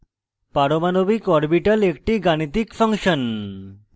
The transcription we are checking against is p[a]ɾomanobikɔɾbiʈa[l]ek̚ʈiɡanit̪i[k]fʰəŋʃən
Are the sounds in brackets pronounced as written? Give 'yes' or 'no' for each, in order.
yes, yes, yes

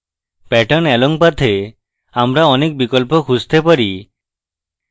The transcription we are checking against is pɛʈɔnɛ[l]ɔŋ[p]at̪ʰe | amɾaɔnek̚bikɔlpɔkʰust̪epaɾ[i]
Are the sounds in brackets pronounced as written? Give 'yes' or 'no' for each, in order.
yes, yes, yes

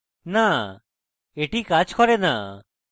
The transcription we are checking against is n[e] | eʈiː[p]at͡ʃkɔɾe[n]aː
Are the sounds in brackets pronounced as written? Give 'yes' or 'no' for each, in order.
no, no, yes

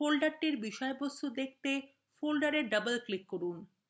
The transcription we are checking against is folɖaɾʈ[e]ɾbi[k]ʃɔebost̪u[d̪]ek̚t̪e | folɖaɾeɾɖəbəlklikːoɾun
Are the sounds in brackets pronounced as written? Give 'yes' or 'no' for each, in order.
no, no, yes

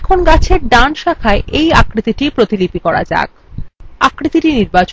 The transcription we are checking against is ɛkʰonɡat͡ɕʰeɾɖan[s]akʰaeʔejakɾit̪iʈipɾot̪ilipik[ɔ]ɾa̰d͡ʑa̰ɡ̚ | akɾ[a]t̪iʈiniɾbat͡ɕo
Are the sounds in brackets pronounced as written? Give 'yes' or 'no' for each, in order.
no, yes, no

